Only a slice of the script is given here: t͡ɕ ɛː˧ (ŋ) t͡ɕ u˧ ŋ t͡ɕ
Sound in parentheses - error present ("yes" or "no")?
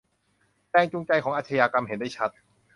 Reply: no